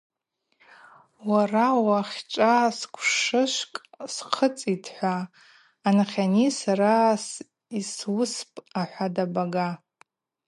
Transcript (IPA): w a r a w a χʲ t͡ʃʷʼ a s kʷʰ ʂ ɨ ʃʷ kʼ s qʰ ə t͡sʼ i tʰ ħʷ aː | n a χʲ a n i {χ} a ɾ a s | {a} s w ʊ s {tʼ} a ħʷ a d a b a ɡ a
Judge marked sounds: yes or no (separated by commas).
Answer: no, no, no